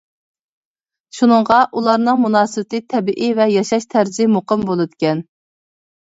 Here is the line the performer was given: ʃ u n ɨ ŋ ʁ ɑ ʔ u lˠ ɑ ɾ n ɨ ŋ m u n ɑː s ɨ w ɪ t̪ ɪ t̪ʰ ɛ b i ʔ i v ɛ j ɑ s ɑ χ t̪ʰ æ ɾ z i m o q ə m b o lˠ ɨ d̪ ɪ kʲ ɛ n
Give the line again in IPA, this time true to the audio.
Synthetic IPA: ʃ u n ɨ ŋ ʁ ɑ ʔ u lˠ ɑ ɾ n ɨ ŋ m u n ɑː s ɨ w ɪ t̪ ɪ t̪ʰ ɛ b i ʔ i v ɛ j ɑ ʃ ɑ ʃ t̪ʰ æ ɾ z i m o q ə m b o lˠ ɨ d̪ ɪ kʲ ɛ n